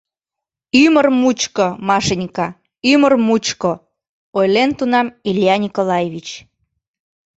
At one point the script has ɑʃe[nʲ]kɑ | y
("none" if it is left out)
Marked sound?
nʲ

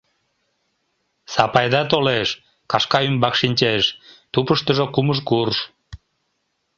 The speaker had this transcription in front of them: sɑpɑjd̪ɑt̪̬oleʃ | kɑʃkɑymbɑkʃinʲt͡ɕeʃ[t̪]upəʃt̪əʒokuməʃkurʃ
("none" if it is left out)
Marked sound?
t̪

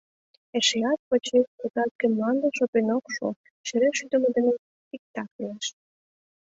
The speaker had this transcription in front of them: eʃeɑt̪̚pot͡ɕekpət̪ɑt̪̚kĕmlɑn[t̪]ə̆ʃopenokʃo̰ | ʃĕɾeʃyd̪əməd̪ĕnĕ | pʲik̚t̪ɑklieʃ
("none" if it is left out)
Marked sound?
d̪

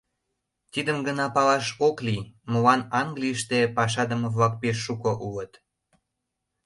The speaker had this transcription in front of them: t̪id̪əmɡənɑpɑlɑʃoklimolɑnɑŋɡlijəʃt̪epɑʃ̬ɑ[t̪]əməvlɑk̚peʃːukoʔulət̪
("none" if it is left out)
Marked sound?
d̪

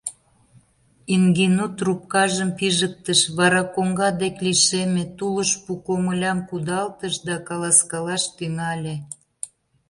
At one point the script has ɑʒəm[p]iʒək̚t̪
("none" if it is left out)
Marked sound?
p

